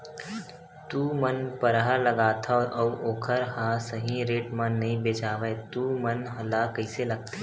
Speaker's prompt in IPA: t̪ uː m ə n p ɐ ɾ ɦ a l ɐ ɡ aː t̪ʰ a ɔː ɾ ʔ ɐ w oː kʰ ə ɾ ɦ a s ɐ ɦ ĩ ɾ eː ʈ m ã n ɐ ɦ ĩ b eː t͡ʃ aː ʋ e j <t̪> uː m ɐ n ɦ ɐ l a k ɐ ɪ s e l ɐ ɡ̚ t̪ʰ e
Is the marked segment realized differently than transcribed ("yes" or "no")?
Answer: no